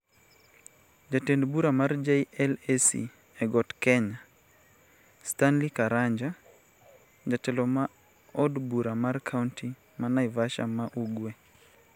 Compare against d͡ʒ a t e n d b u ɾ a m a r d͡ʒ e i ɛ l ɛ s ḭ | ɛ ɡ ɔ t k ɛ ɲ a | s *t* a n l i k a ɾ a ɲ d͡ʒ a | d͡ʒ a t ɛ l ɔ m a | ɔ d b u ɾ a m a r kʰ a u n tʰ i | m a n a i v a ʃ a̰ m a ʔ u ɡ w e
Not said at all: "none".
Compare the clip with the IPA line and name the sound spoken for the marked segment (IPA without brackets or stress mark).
t